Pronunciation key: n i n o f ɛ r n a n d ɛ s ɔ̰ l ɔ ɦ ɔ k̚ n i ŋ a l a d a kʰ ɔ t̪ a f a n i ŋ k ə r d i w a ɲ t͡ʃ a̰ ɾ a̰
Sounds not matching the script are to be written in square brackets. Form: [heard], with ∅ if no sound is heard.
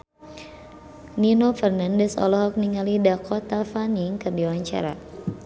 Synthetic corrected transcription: n i n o f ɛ r n a n d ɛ s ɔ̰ l ɔ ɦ ɔ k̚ n i ŋ a l [i] d a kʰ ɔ t̪ a f a n i ŋ k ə r d i w a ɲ t͡ʃ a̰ ɾ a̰

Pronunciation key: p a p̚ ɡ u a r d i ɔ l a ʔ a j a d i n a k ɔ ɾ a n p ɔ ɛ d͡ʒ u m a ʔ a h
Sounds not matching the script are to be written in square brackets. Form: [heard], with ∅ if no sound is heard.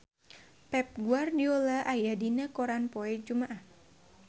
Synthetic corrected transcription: p [ɛ] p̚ ɡ u a r d i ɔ l a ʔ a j a d i n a k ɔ ɾ a n p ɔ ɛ d͡ʒ u m a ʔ a h

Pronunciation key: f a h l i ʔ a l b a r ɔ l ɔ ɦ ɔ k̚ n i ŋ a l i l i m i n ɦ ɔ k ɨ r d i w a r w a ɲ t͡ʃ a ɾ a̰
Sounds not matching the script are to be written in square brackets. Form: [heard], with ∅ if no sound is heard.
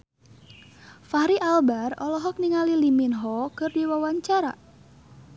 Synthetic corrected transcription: f a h [ɾ] i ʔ a l b a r ɔ l ɔ ɦ ɔ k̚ n i ŋ a l i l i m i n ɦ ɔ k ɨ r d i w a [∅] w a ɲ t͡ʃ a ɾ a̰

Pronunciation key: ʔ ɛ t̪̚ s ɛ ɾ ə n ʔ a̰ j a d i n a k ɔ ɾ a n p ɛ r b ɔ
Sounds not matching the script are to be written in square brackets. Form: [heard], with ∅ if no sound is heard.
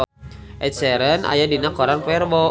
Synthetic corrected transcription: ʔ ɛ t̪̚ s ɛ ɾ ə n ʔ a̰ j a d i n a k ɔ ɾ a n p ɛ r b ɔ

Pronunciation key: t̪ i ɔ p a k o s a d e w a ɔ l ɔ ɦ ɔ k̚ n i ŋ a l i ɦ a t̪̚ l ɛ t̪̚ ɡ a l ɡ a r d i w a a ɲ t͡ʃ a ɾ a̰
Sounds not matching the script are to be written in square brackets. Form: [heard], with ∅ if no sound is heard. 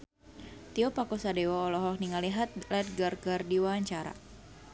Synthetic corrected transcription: t̪ i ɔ p a k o s a d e w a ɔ l ɔ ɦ ɔ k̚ n i ŋ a l i ɦ a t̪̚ l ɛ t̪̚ ɡ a [r] ɡ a r d i w a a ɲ t͡ʃ a ɾ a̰

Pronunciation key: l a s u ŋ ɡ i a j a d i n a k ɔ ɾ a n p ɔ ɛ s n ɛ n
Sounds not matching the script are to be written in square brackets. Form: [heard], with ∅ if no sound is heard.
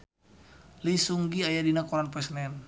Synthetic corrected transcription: l [i] s u ŋ ɡ i a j a d i n a k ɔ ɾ a n p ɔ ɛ s n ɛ n

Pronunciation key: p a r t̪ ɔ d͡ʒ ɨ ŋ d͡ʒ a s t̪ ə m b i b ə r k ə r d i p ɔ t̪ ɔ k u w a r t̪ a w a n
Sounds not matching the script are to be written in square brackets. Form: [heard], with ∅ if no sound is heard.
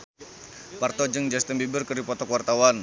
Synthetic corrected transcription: p a r t̪ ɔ d͡ʒ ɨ ŋ d͡ʒ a s t̪ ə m b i b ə r k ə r d i p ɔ t̪ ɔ k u w a r t̪ a w a n

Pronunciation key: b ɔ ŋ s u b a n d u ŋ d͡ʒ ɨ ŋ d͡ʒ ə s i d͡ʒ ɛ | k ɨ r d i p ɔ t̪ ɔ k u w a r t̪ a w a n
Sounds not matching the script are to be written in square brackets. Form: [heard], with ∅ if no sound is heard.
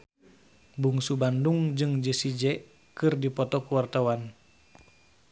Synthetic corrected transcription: b [u] ŋ s u b a n d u ŋ d͡ʒ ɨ ŋ d͡ʒ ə s i d͡ʒ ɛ | k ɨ r d i p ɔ t̪ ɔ k u w a r t̪ a w a n

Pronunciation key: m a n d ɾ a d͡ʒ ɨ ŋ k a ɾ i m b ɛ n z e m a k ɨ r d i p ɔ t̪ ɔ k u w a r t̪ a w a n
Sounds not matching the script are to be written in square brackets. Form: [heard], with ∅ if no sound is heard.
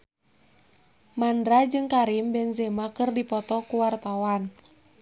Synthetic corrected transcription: m a n d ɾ a d͡ʒ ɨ ŋ k a ɾ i m b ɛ n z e m a k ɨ r d i p ɔ t̪ ɔ k u w a r t̪ a w a n

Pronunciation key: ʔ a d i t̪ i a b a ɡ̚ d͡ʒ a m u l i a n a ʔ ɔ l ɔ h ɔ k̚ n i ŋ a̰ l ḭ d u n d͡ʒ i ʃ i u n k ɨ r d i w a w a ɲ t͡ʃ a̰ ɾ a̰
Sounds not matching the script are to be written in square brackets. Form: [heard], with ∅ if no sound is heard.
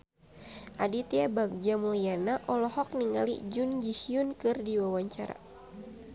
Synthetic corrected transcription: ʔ a d i t̪ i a b a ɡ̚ d͡ʒ a m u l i a n a ʔ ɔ l ɔ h ɔ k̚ n i ŋ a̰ l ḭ [d͡ʒ] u n d͡ʒ i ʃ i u n k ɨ r d i w a w a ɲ t͡ʃ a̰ ɾ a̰

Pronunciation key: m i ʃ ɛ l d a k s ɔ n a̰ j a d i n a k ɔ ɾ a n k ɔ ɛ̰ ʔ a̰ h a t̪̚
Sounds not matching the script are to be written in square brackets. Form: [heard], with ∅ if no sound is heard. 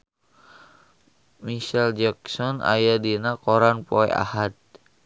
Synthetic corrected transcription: m i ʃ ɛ l [d͡ʒ] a k s ɔ n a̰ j a d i n a k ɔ ɾ a n [p] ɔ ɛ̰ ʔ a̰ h a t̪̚

